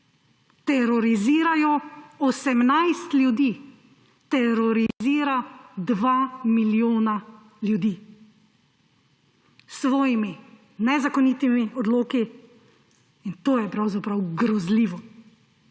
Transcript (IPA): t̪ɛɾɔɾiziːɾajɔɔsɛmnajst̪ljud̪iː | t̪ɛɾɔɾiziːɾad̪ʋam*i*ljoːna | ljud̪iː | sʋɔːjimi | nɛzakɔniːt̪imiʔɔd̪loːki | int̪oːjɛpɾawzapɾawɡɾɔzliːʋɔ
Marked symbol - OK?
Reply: yes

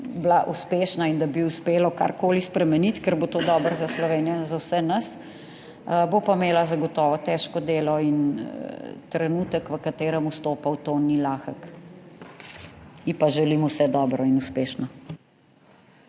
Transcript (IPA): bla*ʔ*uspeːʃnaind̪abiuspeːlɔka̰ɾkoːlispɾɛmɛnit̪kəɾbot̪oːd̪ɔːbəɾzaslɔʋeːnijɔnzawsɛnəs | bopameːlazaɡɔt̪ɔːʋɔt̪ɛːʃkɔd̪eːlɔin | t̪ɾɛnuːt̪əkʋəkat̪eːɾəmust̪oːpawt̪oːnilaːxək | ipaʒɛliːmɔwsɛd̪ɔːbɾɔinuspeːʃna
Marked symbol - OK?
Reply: yes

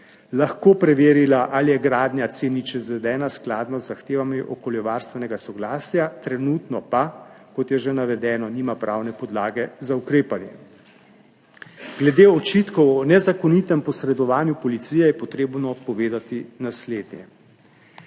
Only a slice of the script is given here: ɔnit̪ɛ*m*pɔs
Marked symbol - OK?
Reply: yes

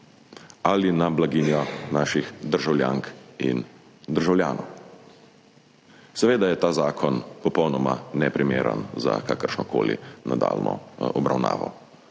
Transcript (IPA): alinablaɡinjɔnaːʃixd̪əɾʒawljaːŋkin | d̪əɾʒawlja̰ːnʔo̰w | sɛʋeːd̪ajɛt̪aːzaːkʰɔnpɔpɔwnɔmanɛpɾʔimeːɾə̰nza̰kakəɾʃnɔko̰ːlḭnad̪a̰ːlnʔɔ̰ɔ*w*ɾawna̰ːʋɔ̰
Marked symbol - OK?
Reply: no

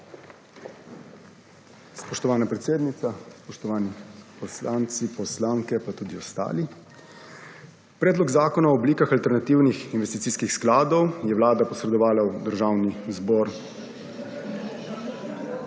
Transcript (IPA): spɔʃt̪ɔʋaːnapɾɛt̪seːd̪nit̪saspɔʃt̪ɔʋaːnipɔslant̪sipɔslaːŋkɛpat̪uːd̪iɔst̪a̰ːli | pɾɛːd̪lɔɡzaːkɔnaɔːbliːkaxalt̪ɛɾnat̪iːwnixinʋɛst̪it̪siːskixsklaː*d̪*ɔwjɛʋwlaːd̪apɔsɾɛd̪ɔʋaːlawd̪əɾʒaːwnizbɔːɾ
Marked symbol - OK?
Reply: yes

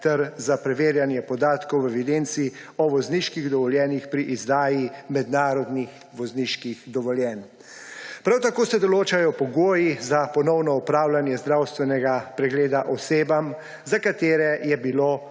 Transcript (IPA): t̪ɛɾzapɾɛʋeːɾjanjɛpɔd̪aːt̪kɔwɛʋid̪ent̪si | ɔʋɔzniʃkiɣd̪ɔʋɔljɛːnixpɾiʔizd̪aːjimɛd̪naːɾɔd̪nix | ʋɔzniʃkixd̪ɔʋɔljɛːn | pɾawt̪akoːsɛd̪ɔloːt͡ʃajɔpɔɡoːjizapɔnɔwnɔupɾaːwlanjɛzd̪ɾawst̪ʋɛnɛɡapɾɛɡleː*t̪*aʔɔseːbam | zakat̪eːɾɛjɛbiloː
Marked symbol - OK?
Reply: no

